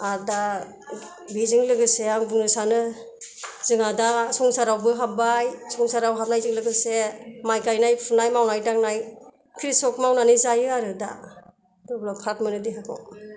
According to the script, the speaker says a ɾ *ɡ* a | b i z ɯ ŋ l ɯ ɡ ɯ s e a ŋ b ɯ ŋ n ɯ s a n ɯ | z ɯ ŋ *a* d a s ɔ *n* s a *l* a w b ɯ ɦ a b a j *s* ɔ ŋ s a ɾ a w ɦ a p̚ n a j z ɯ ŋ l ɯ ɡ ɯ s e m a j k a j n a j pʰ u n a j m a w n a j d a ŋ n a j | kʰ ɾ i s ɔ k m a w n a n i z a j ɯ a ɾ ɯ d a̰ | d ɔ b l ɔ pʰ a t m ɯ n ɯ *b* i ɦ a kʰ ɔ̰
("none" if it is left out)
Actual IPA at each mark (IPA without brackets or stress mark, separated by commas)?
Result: d, a, ŋ, ɾ, s, d